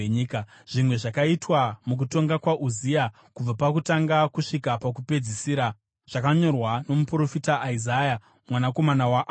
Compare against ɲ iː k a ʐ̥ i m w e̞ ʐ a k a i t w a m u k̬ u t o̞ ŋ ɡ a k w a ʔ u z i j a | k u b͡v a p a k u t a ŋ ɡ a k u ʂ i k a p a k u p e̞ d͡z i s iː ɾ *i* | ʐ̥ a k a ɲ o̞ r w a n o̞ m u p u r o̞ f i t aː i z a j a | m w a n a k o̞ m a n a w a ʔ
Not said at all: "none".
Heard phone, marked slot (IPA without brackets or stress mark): a